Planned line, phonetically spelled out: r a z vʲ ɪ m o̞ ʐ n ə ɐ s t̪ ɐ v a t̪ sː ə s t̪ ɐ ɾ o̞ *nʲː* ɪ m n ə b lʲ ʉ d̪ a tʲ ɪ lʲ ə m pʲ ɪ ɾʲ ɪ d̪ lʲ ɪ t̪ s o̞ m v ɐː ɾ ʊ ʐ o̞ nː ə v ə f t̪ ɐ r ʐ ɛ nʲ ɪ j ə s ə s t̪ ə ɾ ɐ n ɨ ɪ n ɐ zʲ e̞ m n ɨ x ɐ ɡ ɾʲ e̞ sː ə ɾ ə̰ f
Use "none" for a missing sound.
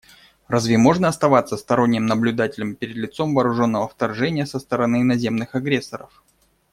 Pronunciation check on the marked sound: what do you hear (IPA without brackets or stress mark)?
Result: nʲː